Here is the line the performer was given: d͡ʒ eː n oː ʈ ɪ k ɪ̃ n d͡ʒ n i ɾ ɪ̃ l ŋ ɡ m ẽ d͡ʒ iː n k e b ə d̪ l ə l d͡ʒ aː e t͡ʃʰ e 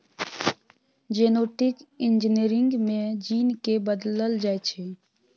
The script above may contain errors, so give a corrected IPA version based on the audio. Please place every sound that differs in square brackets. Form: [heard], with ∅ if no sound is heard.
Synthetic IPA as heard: d͡ʒ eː n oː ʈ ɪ k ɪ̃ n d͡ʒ n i ɾ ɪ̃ [∅] ŋ ɡ m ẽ d͡ʒ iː n k e b ə d̪ l ə l d͡ʒ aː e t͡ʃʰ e